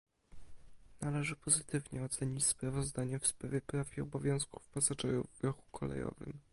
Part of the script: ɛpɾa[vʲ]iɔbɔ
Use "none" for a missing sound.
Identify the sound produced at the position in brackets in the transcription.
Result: fʲ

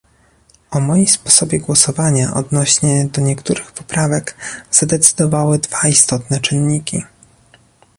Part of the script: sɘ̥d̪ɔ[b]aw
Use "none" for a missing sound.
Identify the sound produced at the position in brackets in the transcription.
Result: v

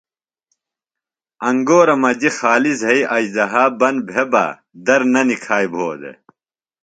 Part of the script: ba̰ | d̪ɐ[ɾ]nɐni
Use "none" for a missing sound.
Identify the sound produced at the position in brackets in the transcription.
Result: ɾ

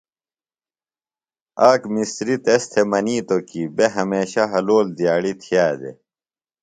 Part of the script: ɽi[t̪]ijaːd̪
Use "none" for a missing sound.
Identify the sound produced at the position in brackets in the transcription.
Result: t̪ʰ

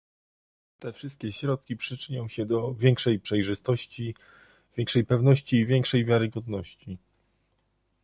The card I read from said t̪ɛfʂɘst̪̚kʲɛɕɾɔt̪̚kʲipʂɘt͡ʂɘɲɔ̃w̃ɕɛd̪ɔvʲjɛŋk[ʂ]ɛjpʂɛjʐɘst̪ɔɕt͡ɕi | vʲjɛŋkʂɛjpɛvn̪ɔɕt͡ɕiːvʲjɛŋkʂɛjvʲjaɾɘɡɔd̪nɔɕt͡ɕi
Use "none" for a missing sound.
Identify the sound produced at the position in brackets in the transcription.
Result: ʂ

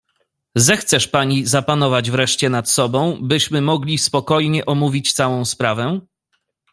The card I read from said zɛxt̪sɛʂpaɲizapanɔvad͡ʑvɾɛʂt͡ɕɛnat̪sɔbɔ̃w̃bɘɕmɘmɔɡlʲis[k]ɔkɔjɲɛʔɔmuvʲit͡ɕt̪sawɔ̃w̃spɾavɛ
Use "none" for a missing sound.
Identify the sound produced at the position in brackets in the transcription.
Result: p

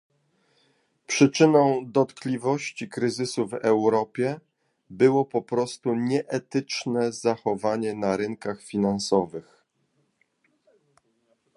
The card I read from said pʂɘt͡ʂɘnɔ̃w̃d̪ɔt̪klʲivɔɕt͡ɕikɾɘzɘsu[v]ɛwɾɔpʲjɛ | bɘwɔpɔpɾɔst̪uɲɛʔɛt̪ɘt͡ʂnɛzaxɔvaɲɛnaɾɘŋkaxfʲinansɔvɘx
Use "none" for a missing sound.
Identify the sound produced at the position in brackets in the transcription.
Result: v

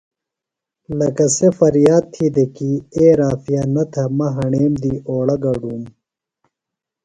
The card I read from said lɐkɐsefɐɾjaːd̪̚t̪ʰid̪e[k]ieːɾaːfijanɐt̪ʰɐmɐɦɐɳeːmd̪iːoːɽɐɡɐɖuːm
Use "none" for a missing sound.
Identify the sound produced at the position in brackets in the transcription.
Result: k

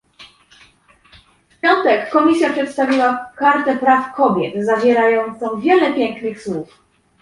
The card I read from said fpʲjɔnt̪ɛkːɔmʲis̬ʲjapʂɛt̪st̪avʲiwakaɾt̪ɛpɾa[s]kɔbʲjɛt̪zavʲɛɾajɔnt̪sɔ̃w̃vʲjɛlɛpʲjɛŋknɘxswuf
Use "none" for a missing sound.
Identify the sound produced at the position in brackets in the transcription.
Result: f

